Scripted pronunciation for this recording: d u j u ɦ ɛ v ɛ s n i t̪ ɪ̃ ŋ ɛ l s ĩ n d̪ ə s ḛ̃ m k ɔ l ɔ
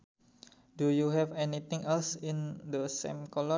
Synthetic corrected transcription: d u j u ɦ ɛ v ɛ n i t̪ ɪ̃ ŋ ɛ l s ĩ n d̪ ə s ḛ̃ m k ɔ l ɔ

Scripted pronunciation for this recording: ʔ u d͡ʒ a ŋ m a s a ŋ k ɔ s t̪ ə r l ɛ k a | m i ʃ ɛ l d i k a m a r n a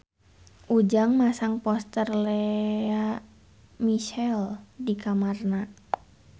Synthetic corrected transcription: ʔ u d͡ʒ a ŋ m a s a ŋ p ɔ s t̪ ə r l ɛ a | m i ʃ ɛ l d i k a m a r n a

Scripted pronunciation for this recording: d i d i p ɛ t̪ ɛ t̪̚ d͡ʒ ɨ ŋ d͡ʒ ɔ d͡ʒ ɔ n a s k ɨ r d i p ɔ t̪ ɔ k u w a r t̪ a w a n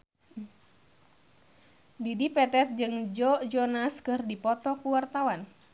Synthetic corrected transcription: d i d i p ɛ t̪ ɛ t̪̚ d͡ʒ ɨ ŋ d͡ʒ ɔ d͡ʒ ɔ n a s k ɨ r d i p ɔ t̪ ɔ k u w a r t̪ a w a n

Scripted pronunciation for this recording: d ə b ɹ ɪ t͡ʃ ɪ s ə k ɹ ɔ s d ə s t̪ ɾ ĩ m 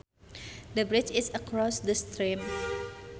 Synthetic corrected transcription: d ə b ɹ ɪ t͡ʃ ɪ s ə k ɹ ɔ s d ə s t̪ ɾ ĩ m

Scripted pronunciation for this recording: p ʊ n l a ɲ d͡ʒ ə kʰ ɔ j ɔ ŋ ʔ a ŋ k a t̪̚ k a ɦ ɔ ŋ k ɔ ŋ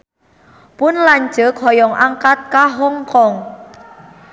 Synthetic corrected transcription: p ʊ n l a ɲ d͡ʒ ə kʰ ɔ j ɔ ŋ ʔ a ŋ k a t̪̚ k a ɦ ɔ ŋ k ɔ ŋ

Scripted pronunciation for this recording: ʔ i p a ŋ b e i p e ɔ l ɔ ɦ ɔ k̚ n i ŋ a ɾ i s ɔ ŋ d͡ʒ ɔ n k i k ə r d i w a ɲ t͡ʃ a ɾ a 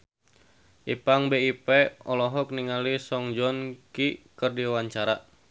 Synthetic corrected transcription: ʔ i p a ŋ b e i p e ɔ l ɔ ɦ ɔ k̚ n i ŋ a l i s ɔ ŋ d͡ʒ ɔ n k i k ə r d i w a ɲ t͡ʃ a ɾ a

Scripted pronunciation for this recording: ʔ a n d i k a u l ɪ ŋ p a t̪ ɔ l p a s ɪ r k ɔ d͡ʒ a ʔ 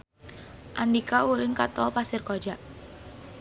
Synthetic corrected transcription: ʔ a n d i k a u l ɪ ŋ k a t̪ ɔ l p a s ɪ r k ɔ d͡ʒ a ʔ

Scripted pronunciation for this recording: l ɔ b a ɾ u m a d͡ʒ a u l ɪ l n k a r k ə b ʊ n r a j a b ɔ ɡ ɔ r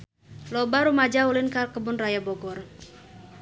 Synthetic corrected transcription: l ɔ b a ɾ u m a d͡ʒ a u l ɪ n k a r k ə b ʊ n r a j a b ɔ ɡ ɔ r

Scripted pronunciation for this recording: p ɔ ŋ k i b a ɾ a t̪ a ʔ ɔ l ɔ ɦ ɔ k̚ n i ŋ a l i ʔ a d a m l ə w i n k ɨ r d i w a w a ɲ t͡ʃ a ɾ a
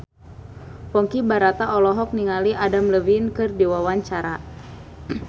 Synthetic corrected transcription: p ɔ ŋ k i b a ɾ a t̪ a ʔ ɔ l ɔ ɦ ɔ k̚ n i ŋ a l i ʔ a d a m l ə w i n k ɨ r d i w a w a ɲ t͡ʃ a ɾ a

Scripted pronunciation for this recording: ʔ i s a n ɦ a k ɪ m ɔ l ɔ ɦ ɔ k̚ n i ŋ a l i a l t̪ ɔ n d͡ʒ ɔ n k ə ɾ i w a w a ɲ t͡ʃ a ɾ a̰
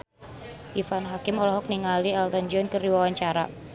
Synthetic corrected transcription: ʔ i f a n ɦ a k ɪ m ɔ l ɔ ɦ ɔ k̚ n i ŋ a l i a l t̪ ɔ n d͡ʒ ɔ n k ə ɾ i w a w a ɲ t͡ʃ a ɾ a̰

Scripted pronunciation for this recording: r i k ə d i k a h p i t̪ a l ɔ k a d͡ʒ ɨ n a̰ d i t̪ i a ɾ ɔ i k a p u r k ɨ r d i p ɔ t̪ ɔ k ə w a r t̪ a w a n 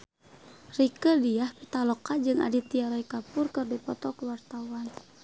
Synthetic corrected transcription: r i k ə d i a h p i t̪ a l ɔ k a d͡ʒ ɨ ŋ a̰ d i t̪ i a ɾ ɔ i k a p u r k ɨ r d i p ɔ t̪ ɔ k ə w a r t̪ a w a n

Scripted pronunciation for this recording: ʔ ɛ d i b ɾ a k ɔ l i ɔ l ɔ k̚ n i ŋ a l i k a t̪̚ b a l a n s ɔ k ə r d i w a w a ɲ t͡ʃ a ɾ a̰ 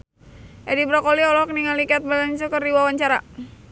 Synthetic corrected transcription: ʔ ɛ d i b ɾ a k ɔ l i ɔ l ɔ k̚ n i ŋ a l i k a t̪̚ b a l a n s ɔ k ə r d i w a w a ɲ t͡ʃ a ɾ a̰

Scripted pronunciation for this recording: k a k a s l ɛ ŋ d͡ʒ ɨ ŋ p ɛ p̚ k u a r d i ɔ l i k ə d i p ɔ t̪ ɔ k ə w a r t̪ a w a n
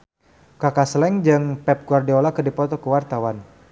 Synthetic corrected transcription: k a k a s l ɛ ŋ d͡ʒ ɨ ŋ p ɛ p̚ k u a r d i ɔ l a k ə d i p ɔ t̪ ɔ k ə w a r t̪ a w a n

